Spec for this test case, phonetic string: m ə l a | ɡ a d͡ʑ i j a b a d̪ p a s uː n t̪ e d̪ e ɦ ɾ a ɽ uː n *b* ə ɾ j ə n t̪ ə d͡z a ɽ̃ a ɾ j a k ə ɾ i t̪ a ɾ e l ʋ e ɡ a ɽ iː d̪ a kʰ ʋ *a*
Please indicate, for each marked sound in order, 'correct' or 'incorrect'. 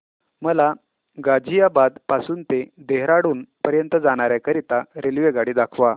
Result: incorrect, correct

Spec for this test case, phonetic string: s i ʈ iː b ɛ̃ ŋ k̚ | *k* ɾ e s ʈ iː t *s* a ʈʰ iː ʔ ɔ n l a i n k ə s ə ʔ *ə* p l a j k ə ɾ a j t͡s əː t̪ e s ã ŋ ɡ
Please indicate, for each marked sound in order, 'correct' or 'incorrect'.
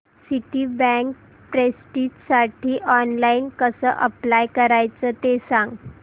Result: incorrect, correct, correct

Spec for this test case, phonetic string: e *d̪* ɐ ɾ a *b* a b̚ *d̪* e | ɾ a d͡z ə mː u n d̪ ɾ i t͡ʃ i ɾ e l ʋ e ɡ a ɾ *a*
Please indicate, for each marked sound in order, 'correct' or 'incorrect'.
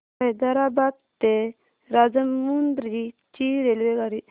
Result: correct, correct, incorrect, incorrect

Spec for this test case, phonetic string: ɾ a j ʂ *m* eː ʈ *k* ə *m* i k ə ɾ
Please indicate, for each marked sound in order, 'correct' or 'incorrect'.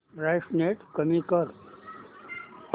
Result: incorrect, correct, correct

